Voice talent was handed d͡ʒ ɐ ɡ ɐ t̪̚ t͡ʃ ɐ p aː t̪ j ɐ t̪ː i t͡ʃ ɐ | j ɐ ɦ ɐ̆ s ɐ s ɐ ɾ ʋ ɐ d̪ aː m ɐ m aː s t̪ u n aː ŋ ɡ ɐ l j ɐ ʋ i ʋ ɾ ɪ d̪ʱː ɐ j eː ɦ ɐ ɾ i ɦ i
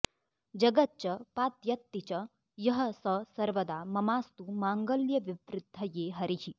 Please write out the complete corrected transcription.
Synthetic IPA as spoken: d͡ʒ ɐ ɡ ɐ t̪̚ t͡ʃ ɐ p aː t̪ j ɐ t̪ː i t͡ʃ ɐ | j ɐ ɦ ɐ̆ s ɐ s ɐ ɾ ʋ ɐ d̪ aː m ɐ m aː s t̪ u m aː ŋ ɡ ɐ l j ɐ ʋ i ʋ ɾ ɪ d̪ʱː ɐ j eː ɦ ɐ ɾ i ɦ i